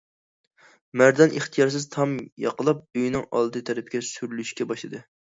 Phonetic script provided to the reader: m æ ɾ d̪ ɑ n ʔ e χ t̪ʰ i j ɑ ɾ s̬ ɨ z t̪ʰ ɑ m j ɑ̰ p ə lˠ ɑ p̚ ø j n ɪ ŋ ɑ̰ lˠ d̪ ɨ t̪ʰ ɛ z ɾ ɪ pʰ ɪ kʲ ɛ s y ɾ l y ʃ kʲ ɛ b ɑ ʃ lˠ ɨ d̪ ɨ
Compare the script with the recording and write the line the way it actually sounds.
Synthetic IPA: m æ ɾ d̪ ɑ n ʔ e χ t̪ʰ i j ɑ ɾ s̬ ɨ z t̪ʰ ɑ m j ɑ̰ q ə lˠ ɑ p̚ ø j n ɪ ŋ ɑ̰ lˠ d̪ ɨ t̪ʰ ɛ ɾ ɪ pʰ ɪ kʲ ɛ s y ɾ l y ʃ kʲ ɛ b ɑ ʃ lˠ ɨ d̪ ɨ